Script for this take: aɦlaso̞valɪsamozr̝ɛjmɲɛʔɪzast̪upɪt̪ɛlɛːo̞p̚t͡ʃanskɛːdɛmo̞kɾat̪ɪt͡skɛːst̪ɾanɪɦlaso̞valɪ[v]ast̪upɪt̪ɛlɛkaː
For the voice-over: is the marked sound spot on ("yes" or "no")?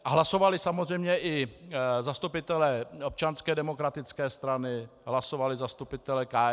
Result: no